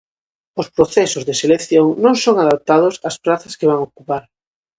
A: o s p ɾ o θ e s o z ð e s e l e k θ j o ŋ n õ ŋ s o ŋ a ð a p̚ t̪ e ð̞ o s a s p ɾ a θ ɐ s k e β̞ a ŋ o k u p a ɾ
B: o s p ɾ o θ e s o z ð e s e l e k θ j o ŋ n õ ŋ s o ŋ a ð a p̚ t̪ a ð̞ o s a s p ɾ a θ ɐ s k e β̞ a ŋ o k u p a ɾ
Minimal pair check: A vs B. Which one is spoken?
B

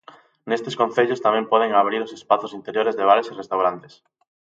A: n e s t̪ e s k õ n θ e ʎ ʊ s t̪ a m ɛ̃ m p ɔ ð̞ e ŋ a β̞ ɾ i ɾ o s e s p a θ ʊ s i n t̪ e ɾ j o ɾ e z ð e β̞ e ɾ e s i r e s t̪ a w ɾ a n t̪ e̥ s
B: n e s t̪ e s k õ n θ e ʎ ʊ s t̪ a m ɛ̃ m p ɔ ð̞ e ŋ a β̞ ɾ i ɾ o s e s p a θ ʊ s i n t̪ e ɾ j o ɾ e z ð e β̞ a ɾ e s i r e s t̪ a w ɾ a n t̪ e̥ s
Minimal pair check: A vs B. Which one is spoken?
B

